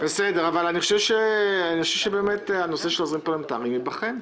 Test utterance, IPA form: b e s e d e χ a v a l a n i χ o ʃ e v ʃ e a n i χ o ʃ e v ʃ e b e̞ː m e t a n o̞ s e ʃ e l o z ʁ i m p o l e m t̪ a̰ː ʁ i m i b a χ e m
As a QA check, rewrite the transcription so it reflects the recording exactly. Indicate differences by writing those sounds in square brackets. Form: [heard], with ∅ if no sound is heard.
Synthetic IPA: b e s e d e [ʁ] a v a l a n i χ o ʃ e v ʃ e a n i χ o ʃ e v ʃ e b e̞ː m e t a n o̞ s e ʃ e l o z ʁ i m p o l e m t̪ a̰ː ʁ i m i b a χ e m